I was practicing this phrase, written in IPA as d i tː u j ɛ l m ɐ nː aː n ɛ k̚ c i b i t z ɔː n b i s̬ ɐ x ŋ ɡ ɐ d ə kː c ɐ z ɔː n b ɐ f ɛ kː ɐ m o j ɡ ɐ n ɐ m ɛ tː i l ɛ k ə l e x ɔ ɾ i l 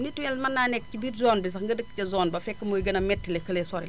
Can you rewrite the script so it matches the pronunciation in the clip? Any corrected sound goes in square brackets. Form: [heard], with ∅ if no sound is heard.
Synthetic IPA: [n] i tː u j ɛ l m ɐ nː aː n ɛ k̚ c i b i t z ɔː n b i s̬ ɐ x ŋ ɡ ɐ d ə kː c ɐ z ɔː n b ɐ f ɛ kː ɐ m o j ɡ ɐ n ɐ m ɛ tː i l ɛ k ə l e [s] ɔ ɾ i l